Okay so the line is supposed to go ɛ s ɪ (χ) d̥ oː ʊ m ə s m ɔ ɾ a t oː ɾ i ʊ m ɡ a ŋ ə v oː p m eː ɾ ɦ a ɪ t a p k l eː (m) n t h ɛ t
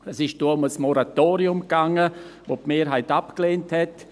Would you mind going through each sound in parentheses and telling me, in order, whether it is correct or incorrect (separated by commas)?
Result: incorrect, incorrect